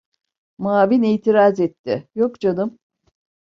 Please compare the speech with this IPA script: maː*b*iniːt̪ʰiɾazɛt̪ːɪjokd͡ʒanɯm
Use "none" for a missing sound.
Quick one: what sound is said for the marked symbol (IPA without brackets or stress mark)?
v